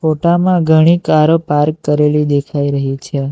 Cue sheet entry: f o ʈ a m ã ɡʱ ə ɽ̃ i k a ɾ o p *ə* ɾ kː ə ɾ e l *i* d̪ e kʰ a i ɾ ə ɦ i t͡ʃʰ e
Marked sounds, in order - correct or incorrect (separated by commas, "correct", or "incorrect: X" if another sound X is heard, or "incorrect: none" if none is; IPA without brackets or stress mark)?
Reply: incorrect: a, correct